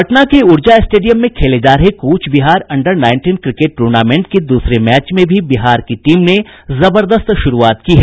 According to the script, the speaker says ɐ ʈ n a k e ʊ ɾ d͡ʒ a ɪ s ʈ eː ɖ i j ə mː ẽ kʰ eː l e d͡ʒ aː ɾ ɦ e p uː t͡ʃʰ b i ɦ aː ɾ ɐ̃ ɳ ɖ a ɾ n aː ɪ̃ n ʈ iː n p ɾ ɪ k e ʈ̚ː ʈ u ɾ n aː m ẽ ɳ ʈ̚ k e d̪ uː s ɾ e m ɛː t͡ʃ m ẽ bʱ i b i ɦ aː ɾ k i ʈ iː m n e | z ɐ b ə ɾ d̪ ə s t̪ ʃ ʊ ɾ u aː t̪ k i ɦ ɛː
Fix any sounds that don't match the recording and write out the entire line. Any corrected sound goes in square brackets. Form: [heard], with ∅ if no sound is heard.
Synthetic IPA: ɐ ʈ n a k e ʊ ɾ d͡ʒ a ɪ s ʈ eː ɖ i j ə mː ẽ kʰ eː l e d͡ʒ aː ɾ ɦ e [k] uː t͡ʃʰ b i ɦ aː ɾ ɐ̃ ɳ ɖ [ə] ɾ n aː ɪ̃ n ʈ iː n [k] ɾ ɪ k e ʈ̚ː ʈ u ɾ n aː m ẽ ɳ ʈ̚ k e d̪ uː s ɾ e m ɛː t͡ʃ m ẽ bʱ i b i ɦ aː ɾ k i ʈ iː m n e | z ɐ b ə ɾ d̪ ə s t̪ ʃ ʊ ɾ u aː t̪ k i ɦ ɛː

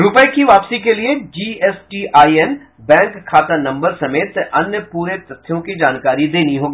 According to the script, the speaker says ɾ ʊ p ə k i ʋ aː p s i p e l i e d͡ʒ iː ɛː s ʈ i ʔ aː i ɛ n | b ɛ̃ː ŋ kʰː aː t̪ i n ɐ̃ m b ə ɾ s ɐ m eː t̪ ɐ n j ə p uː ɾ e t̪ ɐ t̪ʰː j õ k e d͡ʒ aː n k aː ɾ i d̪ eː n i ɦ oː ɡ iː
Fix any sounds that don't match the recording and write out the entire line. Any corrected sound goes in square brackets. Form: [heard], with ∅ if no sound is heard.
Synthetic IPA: ɾ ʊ p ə k i ʋ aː p s i [k] e l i e d͡ʒ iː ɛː s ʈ i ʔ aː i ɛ n | b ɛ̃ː ŋ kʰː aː t̪ [a] n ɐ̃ m b ə ɾ s ɐ m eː t̪ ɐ n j ə p uː ɾ e t̪ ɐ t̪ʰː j õ k [i] d͡ʒ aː n k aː ɾ i d̪ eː n i ɦ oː ɡ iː

